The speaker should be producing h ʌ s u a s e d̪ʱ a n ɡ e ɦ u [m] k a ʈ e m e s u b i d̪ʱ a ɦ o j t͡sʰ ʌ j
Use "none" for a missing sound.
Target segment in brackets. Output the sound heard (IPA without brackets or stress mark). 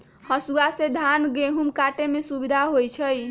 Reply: m